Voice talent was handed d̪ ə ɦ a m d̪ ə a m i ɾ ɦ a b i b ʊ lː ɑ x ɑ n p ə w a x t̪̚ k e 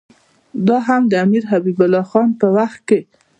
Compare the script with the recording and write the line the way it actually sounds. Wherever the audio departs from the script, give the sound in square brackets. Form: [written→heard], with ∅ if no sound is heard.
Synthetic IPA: d̪ [ə→ɑ] ɦ a m d̪ ə a m i ɾ ɦ a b i b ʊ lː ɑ x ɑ n p ə w a x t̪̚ k e